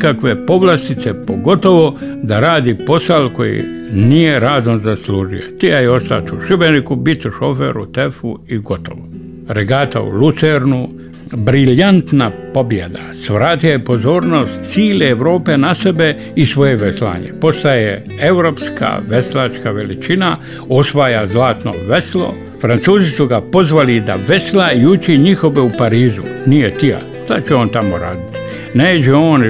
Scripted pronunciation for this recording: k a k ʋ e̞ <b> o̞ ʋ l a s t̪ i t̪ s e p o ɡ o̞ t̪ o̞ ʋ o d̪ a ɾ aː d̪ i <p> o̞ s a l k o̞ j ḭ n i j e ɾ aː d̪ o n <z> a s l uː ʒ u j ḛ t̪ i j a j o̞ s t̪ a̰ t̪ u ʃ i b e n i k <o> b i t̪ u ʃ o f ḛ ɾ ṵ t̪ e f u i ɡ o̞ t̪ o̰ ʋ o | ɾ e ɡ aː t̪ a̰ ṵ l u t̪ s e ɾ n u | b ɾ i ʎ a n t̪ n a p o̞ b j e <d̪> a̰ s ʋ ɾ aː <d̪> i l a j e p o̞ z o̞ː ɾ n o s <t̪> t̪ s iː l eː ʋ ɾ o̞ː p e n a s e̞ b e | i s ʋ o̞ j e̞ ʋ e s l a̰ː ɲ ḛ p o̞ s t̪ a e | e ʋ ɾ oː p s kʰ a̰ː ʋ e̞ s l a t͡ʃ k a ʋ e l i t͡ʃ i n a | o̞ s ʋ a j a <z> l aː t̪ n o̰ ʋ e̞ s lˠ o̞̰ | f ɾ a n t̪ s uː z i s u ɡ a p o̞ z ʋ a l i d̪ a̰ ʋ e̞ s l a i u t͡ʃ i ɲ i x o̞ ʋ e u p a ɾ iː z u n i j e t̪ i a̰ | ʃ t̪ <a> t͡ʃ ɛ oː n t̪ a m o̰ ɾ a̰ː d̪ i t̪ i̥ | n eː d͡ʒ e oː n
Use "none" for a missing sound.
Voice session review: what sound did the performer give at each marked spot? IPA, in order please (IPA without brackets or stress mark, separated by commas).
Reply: p, p, z, u, d̪, t̪, t̪, z, a